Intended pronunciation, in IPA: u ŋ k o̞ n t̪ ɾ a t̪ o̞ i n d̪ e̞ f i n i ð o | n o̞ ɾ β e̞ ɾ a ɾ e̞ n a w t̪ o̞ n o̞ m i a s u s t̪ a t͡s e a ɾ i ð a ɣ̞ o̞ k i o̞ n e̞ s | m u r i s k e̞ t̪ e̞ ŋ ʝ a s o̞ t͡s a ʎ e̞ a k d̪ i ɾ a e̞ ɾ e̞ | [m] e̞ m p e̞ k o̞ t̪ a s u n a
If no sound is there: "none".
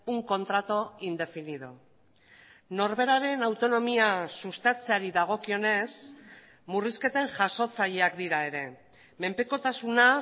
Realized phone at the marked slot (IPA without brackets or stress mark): m